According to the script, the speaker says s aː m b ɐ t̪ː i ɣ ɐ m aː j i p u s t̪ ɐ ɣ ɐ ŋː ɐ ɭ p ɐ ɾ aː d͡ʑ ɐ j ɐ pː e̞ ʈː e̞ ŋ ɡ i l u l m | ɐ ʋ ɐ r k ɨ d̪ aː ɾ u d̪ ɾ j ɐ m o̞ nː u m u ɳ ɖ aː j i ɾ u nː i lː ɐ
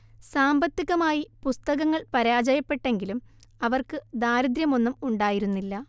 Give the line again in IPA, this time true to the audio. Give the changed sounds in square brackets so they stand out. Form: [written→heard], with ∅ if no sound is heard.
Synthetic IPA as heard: s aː m b ɐ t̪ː i ɣ ɐ m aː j i p u s t̪ ɐ ɣ ɐ ŋː ɐ ɭ p ɐ ɾ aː d͡ʑ ɐ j ɐ pː e̞ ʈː e̞ ŋ ɡ i l u [l→∅] m | ɐ ʋ ɐ r k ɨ d̪ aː ɾ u d̪ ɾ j ɐ m o̞ nː u m u ɳ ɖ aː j i ɾ u nː i lː ɐ